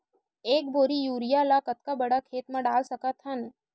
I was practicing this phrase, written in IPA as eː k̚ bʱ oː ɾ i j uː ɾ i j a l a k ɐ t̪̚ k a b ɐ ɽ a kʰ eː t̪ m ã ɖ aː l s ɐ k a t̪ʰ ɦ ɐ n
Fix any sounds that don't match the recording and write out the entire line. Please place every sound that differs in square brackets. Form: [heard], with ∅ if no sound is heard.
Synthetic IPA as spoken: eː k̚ bʱ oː ɾ i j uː ɾ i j a l a k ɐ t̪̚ k a b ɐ ɽ a kʰ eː t̪ m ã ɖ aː l s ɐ k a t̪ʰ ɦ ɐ n